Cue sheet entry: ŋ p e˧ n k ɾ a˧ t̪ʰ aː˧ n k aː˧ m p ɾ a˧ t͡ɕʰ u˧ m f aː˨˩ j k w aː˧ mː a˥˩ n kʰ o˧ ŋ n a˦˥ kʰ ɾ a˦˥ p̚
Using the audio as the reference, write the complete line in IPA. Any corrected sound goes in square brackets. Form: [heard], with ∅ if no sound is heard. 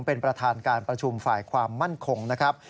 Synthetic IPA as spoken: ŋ p e˧ n [p] ɾ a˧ t̪ʰ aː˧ n k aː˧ [n] p ɾ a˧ t͡ɕʰ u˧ m f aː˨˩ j [kʰ] w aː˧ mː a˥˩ n kʰ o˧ ŋ n a˦˥ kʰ ɾ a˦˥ p̚